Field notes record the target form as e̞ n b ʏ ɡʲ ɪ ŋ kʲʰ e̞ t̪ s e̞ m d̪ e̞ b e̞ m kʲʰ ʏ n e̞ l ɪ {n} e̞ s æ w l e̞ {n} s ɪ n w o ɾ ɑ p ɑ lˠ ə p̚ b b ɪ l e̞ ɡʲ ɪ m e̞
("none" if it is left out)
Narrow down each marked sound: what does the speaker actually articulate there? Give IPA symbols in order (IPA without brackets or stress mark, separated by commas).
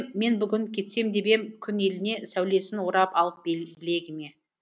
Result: n, none